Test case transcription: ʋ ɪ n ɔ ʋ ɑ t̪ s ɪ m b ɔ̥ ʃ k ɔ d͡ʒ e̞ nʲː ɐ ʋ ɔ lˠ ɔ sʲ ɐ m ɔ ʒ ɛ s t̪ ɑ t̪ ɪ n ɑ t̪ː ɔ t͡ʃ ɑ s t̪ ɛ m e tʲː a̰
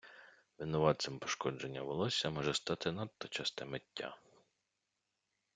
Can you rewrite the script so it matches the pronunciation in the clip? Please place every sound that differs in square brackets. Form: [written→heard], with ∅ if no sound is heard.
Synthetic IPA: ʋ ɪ n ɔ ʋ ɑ t̪ s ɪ m [b→p] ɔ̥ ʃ k ɔ d͡ʒ e̞ nʲː ɐ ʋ ɔ lˠ ɔ sʲ ɐ m ɔ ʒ ɛ s t̪ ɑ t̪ ɪ n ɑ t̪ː ɔ t͡ʃ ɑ s t̪ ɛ m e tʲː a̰